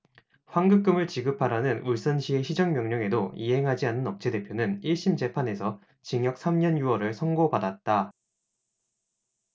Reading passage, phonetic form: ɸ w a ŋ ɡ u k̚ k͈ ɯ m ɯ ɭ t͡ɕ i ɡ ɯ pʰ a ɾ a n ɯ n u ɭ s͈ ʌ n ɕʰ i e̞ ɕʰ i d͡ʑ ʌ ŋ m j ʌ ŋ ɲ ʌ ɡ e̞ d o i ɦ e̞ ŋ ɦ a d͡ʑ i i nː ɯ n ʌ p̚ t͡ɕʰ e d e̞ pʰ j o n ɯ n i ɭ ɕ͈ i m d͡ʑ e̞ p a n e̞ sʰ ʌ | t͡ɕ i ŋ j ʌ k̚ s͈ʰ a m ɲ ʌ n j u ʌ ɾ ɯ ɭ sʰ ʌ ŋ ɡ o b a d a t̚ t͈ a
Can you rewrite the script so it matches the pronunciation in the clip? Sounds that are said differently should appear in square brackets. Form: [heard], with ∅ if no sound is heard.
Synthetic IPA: ɸ w a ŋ ɡ [ɯ] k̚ k͈ ɯ m ɯ ɭ t͡ɕ i ɡ ɯ pʰ a ɾ a n ɯ n u ɭ s͈ ʌ n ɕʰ i e̞ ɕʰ i d͡ʑ ʌ ŋ m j ʌ ŋ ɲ ʌ [ŋ] e̞ d o i ɦ e̞ ŋ ɦ a d͡ʑ i [a] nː ɯ n ʌ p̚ t͡ɕʰ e d e̞ pʰ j o n ɯ n i ɭ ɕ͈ i m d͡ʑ e̞ [pʰ] a n e̞ sʰ ʌ | t͡ɕ i ŋ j ʌ k̚ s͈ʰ a m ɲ ʌ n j u ʌ ɾ ɯ ɭ sʰ ʌ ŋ ɡ o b a d a t̚ t͈ a